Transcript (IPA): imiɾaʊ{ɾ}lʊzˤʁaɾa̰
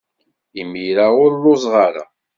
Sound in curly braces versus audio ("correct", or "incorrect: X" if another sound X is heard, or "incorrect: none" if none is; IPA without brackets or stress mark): correct